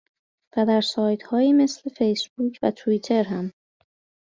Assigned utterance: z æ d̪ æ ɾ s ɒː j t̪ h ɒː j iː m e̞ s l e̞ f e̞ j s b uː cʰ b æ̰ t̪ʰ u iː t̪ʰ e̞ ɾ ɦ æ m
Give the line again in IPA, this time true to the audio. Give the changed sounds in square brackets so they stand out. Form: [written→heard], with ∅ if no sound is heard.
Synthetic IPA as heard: [z→v] æ d̪ æ ɾ s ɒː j t̪ h ɒː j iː m e̞ s l e̞ f e̞ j s b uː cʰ [b→v] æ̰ t̪ʰ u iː t̪ʰ e̞ ɾ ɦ æ m

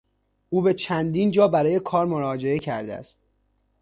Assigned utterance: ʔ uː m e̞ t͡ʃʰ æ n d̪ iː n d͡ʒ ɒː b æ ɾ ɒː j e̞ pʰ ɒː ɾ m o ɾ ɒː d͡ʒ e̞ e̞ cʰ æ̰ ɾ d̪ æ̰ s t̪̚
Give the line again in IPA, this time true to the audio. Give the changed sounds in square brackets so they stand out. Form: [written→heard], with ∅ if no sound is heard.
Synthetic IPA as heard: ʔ uː [m→b] e̞ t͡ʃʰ æ n d̪ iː n d͡ʒ ɒː b æ ɾ ɒː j e̞ [pʰ→kʰ] ɒː ɾ m o ɾ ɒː d͡ʒ e̞ e̞ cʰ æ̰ ɾ d̪ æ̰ s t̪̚

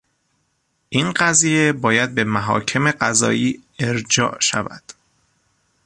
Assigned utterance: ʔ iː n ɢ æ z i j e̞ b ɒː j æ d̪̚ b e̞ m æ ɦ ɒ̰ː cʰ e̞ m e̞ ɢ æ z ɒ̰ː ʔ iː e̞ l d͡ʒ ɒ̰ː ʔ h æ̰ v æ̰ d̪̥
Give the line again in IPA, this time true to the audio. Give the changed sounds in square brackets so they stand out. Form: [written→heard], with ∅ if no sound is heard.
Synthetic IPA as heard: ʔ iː n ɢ æ z i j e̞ b ɒː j æ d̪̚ b e̞ m æ ɦ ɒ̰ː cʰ e̞ m e̞ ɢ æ z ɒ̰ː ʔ iː e̞ [l→ɾ] d͡ʒ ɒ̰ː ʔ [h→ʃ] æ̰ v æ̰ d̪̥

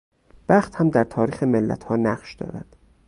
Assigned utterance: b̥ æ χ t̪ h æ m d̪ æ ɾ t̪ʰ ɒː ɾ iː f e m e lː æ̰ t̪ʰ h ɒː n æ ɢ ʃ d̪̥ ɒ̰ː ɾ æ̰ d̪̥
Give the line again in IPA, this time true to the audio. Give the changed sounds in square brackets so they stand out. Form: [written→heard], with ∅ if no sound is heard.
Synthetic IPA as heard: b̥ æ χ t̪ h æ m d̪ æ ɾ t̪ʰ ɒː ɾ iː [f→x] e m e lː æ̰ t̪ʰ h ɒː n æ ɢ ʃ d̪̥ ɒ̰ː ɾ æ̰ d̪̥

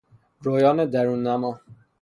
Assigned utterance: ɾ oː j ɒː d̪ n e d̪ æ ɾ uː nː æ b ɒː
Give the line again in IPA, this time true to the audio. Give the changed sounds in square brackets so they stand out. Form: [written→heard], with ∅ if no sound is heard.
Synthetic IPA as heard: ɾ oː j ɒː [d̪→∅] n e d̪ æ ɾ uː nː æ [b→m] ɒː

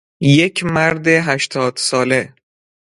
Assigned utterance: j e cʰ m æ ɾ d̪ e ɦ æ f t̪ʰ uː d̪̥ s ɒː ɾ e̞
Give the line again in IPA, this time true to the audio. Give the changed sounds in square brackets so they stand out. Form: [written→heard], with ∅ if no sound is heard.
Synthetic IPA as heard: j e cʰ m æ ɾ d̪ e ɦ æ [f→ʃ] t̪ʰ [uː→ɒː] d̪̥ s ɒː [ɾ→l] e̞

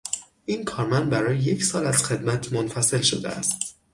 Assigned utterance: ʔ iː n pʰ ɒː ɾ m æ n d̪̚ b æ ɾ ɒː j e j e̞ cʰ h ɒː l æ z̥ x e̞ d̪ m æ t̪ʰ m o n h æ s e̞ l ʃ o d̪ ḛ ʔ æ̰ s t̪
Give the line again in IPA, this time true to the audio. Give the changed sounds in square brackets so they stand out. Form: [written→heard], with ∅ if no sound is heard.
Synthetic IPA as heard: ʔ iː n [pʰ→kʰ] ɒː ɾ m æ n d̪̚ b æ ɾ ɒː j e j e̞ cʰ [h→s] ɒː l æ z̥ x e̞ d̪ m æ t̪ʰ m o n [h→f] æ s e̞ l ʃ o d̪ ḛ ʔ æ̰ s t̪

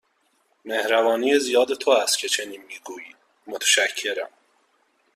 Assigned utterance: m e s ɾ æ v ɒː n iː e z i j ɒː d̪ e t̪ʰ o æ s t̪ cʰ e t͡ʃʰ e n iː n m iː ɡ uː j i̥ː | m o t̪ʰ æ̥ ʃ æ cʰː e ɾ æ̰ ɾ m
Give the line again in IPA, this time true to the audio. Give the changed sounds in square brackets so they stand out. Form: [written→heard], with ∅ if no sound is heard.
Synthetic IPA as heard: m e [s→h] ɾ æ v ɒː n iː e z i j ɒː d̪ e t̪ʰ o æ s t̪ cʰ e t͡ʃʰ e n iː n m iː ɡ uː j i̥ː | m o t̪ʰ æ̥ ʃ æ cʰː e ɾ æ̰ [ɾ→∅] m

